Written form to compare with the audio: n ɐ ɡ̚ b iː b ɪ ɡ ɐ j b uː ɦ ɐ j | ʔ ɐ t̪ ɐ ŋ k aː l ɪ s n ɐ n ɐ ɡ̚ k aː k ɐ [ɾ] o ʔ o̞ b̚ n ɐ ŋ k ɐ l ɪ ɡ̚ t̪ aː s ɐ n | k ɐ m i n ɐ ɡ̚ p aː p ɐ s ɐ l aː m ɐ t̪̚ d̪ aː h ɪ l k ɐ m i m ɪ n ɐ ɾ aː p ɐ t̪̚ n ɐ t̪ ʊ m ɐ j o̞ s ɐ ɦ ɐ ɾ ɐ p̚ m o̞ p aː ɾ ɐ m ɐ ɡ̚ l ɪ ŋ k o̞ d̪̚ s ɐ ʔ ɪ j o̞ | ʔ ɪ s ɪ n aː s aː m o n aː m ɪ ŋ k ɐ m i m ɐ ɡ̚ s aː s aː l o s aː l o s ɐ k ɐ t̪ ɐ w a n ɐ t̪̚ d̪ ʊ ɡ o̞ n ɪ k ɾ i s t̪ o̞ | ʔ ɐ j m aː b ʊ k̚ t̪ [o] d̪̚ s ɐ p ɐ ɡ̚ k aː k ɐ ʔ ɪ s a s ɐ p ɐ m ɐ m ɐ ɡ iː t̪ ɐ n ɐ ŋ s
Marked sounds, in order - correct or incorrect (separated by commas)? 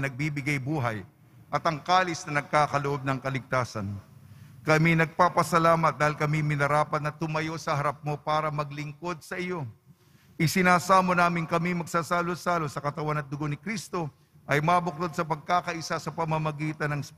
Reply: incorrect, correct